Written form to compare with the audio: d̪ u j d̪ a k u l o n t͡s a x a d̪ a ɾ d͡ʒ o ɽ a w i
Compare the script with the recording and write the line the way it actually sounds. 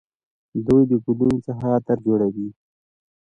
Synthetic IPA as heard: d̪ u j d̪ ə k u l u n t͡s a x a t̪ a ɾ d͡ʒ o ɽ a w i